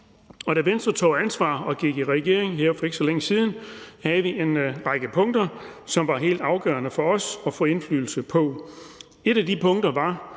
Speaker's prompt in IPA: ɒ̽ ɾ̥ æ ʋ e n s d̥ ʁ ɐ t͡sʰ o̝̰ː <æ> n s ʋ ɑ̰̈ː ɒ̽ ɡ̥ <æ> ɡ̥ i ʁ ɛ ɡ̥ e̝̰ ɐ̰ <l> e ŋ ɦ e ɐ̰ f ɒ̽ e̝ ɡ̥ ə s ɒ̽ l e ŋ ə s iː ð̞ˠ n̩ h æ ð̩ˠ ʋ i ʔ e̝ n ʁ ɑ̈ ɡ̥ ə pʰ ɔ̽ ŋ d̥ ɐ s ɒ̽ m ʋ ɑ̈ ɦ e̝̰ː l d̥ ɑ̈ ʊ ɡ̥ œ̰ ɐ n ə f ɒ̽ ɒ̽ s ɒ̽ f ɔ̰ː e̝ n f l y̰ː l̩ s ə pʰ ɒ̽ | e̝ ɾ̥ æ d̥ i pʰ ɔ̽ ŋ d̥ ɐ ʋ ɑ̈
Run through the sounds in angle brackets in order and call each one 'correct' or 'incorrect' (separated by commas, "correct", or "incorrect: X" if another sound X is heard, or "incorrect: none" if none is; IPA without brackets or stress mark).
correct, incorrect: i, incorrect: none